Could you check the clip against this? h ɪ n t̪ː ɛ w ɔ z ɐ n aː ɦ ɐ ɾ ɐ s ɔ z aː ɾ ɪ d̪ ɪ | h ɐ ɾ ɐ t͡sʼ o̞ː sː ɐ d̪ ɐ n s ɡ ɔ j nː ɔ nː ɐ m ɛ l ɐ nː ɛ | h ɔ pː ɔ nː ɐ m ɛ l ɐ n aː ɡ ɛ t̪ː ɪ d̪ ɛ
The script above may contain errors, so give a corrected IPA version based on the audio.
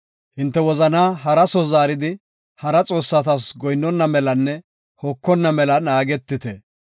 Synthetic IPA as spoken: h ɪ n t̪ː ɛ w ɔ z ɐ n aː ɦ ɐ ɾ ɐ s ɔ z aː ɾ ɪ d̪ ɪ | h ɐ ɾ ɐ t͡sʼ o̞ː sː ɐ t̪ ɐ s ɡ ɔ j nː ɔ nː ɐ m ɛ l ɐ nː ɛ | h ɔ kː ɔ nː ɐ m ɛ l ɐ n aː ɡ ɛ t̪ː ɪ t̪ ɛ